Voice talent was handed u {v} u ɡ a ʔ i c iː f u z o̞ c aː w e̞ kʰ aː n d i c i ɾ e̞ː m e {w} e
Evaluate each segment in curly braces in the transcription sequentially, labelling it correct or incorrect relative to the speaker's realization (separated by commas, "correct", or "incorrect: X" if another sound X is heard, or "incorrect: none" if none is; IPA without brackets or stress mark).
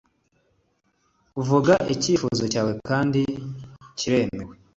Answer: correct, correct